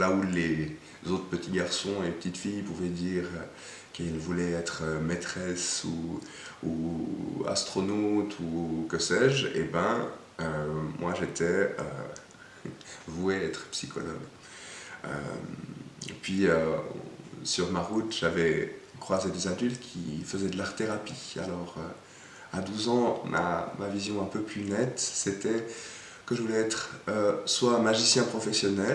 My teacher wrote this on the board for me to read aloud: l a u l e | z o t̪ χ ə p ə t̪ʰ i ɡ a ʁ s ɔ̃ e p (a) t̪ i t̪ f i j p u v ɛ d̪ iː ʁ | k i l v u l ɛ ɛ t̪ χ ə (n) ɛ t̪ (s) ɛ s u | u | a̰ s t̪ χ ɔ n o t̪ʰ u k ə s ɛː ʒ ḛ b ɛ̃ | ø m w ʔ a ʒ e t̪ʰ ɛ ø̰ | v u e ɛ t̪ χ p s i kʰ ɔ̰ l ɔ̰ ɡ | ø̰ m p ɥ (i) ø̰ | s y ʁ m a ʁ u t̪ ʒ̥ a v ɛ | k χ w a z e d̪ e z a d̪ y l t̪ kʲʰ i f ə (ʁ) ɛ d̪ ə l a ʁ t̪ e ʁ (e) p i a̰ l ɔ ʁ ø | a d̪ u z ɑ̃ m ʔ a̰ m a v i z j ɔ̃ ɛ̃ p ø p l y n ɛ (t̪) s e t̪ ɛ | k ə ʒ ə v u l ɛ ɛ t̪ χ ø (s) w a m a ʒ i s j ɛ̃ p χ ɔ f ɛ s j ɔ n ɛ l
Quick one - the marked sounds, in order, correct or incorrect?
incorrect, incorrect, incorrect, correct, incorrect, incorrect, correct, correct

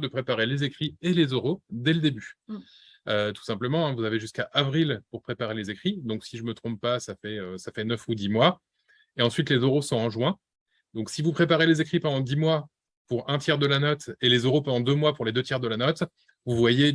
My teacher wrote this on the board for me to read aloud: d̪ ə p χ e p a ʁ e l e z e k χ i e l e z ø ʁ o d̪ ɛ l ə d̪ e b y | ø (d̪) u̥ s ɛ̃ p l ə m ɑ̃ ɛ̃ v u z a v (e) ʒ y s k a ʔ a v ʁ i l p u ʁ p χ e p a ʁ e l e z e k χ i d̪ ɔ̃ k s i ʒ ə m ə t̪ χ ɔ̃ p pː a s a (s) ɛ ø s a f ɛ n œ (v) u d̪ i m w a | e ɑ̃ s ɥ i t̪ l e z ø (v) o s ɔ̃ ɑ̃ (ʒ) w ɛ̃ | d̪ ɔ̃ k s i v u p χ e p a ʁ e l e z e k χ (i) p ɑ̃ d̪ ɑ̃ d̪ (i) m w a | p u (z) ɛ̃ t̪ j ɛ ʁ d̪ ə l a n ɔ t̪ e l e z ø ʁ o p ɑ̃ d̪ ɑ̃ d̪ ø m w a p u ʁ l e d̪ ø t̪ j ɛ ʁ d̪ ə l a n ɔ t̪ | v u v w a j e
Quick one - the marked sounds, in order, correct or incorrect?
incorrect, correct, incorrect, incorrect, incorrect, correct, correct, correct, incorrect

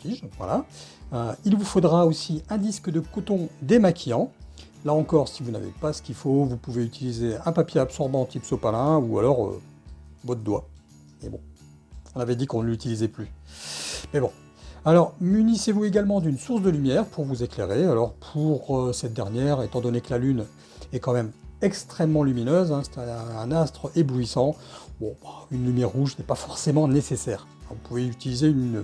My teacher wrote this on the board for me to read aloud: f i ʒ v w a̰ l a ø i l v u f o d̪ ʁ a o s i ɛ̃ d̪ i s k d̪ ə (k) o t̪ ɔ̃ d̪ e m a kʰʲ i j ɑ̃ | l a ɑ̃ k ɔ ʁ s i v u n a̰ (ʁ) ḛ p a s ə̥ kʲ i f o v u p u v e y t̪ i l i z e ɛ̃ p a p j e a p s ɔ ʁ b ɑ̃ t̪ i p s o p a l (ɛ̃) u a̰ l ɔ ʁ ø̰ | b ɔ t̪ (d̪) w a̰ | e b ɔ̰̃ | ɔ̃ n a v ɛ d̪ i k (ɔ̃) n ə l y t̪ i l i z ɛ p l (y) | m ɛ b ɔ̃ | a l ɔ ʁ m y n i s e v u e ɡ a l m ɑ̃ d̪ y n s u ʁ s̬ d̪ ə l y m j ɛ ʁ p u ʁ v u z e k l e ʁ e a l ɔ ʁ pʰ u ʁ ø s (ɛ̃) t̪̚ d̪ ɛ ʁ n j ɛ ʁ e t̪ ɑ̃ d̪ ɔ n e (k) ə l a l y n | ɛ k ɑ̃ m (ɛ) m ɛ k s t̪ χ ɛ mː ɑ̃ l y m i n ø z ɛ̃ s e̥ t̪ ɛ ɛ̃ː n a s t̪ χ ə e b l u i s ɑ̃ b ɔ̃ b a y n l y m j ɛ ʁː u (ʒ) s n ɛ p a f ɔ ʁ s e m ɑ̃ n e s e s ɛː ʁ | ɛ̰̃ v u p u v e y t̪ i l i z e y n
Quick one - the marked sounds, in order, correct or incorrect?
correct, incorrect, correct, correct, correct, correct, incorrect, correct, correct, correct

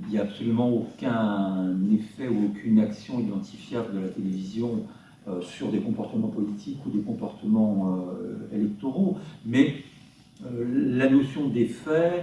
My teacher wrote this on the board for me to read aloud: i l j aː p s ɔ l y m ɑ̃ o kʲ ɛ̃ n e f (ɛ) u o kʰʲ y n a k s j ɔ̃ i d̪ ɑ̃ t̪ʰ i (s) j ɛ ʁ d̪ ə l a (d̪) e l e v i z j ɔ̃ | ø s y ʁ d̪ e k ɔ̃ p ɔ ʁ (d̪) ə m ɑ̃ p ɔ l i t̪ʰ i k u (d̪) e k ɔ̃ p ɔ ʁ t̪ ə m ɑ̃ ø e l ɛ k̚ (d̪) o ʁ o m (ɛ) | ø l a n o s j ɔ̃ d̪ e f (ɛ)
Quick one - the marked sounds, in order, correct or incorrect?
correct, incorrect, incorrect, incorrect, correct, incorrect, correct, correct

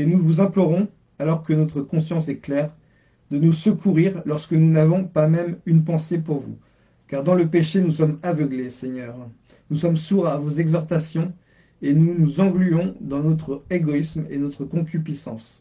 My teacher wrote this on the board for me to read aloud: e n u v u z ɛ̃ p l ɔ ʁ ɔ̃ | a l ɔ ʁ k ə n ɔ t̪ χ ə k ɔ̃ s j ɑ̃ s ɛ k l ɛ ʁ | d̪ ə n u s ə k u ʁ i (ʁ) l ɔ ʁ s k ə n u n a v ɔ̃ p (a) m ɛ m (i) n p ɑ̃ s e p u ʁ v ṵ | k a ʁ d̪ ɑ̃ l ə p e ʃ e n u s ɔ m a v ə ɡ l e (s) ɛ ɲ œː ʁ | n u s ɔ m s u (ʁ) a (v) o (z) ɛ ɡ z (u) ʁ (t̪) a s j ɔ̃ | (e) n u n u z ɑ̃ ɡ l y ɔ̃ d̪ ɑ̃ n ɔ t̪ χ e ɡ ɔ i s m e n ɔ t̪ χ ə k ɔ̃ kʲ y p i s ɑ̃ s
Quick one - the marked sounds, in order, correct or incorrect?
correct, correct, incorrect, correct, correct, correct, correct, incorrect, correct, correct

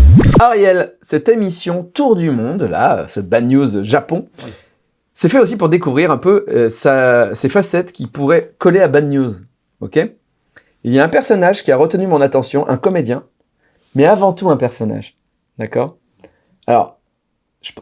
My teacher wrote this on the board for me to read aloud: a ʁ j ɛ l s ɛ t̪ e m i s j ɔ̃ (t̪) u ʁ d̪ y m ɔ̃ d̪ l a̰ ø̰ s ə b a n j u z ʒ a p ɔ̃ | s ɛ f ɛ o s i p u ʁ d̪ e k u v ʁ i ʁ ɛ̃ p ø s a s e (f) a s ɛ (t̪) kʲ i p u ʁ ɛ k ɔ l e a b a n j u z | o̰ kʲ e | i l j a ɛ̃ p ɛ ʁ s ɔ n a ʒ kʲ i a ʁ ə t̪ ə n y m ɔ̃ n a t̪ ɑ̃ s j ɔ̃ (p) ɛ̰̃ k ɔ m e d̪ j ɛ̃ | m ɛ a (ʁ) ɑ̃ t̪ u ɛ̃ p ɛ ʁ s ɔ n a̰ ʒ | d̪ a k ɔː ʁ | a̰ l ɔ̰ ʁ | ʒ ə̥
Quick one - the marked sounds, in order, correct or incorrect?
correct, correct, correct, incorrect, incorrect

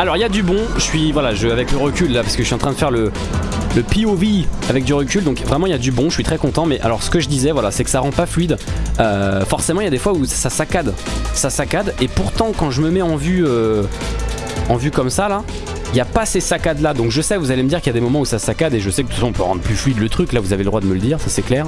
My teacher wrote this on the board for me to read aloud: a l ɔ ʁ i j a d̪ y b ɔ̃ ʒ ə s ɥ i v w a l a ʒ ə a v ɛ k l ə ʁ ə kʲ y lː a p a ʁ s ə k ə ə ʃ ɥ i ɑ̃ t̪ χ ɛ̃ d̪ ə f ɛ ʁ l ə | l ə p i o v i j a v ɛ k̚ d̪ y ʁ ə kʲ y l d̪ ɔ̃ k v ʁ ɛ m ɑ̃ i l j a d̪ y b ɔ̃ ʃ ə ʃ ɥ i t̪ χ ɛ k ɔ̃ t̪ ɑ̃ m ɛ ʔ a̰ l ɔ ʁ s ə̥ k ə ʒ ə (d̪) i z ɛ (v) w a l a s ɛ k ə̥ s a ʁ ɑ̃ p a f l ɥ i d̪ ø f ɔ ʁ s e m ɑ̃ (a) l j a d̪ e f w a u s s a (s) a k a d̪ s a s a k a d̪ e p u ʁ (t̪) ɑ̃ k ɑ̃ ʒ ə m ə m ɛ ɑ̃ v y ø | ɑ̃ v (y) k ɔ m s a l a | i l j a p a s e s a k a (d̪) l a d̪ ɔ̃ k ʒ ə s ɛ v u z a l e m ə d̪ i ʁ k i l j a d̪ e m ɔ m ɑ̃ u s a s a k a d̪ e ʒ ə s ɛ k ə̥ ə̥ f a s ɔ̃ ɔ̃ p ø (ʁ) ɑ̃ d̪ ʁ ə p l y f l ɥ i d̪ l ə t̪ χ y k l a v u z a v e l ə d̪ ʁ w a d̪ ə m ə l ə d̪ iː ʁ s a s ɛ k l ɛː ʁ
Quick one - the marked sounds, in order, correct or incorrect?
correct, correct, incorrect, correct, correct, correct, correct, correct

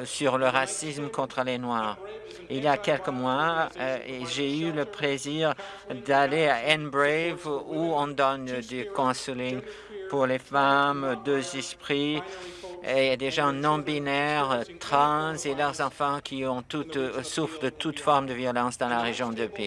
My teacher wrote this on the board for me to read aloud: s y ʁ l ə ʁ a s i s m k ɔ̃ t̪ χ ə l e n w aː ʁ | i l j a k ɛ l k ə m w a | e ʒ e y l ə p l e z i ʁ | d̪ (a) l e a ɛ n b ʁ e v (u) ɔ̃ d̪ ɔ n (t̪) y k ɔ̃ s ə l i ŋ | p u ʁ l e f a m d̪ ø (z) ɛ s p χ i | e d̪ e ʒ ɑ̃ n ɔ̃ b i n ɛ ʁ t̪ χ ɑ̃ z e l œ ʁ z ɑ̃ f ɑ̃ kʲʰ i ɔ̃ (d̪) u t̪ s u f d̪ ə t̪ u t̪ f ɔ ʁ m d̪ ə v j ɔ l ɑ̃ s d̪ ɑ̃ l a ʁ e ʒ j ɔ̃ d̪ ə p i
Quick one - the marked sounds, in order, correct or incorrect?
correct, correct, incorrect, correct, incorrect

